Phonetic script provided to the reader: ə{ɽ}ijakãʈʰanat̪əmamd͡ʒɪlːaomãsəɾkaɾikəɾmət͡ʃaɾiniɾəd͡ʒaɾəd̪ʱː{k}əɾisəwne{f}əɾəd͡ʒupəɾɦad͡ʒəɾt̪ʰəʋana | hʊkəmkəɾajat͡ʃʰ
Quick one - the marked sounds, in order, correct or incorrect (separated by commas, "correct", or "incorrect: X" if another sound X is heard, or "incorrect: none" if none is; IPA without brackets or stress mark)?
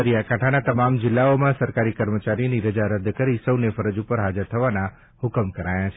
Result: incorrect: ɾ, correct, correct